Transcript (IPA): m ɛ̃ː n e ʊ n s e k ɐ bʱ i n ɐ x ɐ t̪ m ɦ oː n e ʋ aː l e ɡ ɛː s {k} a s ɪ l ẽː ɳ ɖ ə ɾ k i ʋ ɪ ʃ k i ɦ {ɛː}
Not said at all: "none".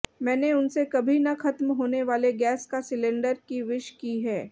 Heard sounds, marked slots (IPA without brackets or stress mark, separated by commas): k, ɛː